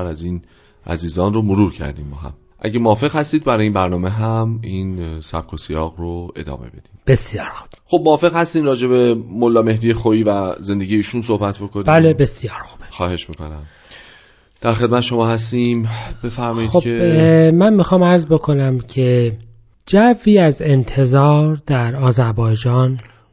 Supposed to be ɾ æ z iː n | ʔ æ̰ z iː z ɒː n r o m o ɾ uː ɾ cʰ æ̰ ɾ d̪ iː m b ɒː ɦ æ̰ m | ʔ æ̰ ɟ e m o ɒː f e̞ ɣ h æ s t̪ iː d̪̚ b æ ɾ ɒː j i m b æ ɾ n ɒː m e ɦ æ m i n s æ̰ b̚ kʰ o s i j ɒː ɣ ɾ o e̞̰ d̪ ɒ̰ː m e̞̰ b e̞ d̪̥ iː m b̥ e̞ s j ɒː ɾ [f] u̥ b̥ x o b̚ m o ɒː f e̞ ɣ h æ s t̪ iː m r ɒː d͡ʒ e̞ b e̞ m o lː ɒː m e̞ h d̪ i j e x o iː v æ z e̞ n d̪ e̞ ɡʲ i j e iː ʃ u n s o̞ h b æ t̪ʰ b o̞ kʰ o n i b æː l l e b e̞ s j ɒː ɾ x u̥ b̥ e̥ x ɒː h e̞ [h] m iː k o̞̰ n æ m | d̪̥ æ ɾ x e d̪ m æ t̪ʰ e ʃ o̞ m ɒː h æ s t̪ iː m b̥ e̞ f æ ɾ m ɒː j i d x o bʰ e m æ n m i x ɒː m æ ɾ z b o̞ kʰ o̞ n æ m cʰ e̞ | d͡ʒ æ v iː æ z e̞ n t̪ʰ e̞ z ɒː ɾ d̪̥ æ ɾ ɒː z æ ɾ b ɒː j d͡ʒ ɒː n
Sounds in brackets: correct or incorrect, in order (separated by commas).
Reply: incorrect, incorrect